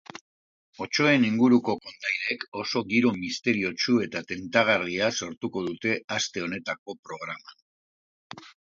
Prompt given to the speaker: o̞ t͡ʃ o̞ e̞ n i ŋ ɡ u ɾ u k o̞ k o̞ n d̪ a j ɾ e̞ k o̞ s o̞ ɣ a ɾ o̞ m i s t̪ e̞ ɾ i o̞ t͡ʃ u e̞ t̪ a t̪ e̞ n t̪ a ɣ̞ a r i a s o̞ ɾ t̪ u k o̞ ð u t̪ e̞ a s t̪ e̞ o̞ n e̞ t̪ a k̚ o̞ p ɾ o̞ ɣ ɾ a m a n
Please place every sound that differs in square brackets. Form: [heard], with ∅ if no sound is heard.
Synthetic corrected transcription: o̞ t͡ʃ o̞ e̞ n i ŋ ɡ u ɾ u k o̞ k o̞ n d̪ a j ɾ e̞ k o̞ s o̞ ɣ [i] ɾ o̞ m i s t̪ e̞ ɾ i o̞ t͡ʃ u e̞ t̪ a t̪ e̞ n t̪ a ɣ̞ a r i a s o̞ ɾ t̪ u k o̞ ð u t̪ e̞ a s t̪ e̞ o̞ n e̞ t̪ a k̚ o̞ p ɾ o̞ ɣ ɾ a m a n